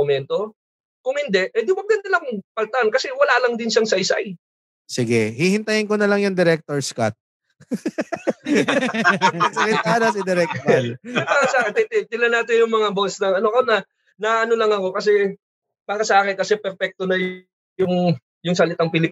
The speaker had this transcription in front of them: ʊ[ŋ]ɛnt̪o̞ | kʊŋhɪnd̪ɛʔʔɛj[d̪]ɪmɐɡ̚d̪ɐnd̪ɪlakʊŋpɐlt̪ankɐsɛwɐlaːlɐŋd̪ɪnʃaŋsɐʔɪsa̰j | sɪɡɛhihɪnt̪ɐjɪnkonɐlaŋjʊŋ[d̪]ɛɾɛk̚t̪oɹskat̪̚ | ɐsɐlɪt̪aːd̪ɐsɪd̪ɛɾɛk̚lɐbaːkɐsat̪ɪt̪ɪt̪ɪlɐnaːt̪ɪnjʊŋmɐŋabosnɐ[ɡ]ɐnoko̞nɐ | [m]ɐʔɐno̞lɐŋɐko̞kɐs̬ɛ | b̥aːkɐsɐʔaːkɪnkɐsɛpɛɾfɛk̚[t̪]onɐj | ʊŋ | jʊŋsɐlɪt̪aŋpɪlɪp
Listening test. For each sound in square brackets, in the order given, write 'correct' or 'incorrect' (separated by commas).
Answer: incorrect, correct, correct, incorrect, incorrect, correct